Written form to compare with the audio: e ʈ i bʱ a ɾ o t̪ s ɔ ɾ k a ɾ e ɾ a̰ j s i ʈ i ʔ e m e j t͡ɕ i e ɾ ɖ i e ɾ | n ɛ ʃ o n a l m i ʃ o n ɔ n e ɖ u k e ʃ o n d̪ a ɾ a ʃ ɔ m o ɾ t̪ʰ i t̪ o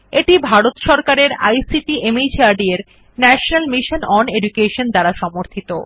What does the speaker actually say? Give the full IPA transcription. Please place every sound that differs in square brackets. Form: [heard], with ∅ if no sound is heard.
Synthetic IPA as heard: e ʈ i bʱ a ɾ o t̪ [ʃ] ɔ ɾ k a ɾ e ɾ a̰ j s i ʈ i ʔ e m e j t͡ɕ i [a] ɾ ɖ i e ɾ | n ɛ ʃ o n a l m i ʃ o n ɔ n e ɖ u k e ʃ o n d̪ a ɾ a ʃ ɔ m o ɾ t̪ʰ i t̪ o

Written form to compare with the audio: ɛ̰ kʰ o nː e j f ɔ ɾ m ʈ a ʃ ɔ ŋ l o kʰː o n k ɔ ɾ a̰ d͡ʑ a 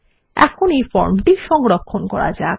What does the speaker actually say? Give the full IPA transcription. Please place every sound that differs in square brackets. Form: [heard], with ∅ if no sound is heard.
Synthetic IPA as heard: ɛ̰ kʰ o [n] e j f ɔ ɾ m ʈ [i] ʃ ɔ ŋ [ɾ] o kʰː o n k ɔ ɾ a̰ d͡ʑ a

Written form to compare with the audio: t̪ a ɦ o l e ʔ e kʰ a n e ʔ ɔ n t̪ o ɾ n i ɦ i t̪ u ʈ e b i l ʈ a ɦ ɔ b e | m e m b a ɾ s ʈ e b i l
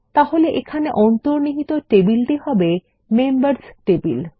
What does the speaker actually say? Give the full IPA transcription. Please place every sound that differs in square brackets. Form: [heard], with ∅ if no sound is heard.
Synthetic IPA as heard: t̪ a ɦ o l e ʔ e kʰ a n e ʔ ɔ n t̪ o ɾ n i ɦ i t̪ [o] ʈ e b i l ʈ [i] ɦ ɔ b e | m e m b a ɾ s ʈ e b i l

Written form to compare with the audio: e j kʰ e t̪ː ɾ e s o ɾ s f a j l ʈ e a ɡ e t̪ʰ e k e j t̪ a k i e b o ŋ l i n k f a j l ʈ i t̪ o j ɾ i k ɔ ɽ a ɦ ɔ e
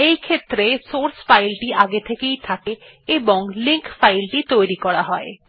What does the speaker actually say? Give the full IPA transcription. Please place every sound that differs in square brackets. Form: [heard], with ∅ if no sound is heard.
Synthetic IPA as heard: e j kʰ e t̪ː ɾ e s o ɾ s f a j l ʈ [i] a ɡ e t̪ʰ e k e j [t̪ʰ] a k [e] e b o ŋ l i [ŋ] k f a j l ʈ i t̪ o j ɾ i k ɔ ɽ a ɦ ɔ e

